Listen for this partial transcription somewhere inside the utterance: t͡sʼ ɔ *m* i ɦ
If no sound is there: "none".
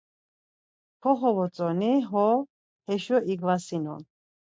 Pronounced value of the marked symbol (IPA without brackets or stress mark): n